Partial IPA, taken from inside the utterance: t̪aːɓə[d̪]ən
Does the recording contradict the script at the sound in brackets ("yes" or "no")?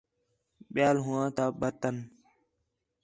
yes